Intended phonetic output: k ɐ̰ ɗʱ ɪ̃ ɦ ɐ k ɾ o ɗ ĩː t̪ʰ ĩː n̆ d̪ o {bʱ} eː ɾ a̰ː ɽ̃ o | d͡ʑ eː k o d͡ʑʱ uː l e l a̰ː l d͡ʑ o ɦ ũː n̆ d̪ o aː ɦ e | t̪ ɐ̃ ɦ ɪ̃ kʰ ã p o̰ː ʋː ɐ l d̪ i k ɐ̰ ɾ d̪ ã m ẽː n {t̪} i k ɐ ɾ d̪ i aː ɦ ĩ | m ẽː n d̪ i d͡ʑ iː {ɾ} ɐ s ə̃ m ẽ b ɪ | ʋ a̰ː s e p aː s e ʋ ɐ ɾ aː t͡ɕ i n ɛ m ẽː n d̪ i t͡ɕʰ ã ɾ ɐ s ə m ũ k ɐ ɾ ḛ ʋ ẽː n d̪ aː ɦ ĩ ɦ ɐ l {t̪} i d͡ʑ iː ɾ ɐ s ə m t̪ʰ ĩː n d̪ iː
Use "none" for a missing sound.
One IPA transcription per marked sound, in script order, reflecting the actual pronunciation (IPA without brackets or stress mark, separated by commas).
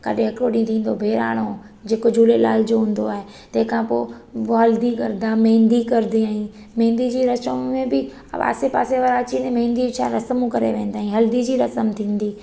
bʱ, d̪, ɾ, d̪